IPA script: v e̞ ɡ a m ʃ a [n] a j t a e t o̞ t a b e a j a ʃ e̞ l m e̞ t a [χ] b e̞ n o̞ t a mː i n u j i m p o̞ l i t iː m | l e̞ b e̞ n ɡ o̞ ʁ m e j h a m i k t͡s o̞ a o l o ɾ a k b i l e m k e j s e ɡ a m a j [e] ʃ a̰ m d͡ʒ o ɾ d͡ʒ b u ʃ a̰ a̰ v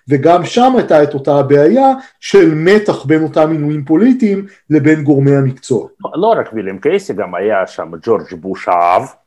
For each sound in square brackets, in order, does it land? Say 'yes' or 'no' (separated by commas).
no, yes, no